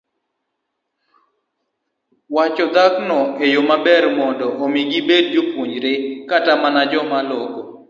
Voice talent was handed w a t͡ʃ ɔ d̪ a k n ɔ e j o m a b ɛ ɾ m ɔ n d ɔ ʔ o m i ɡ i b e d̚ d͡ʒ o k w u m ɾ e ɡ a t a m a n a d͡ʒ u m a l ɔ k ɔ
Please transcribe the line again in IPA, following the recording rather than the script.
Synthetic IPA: w a t͡ʃ ɔ d̪ a k n ɔ e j o m a b ɛ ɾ m ɔ n d ɔ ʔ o m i ɡ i b e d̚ d͡ʒ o p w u ɲ ɾ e k a t a m a n a d͡ʒ ɔ m a l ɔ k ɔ